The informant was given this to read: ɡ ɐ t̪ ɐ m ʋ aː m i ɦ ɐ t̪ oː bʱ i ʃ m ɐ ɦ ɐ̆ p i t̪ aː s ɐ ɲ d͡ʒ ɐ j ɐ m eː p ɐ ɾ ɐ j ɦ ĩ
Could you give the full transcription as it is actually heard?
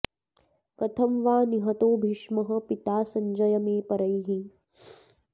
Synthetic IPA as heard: k ɐ t̪ʰ ɐ m ʋ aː n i ɦ ɐ t̪ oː bʱ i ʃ m ɐ ɦ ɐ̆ p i t̪ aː s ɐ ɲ d͡ʒ ɐ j ɐ m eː p ɐ ɾ ɐ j ɦ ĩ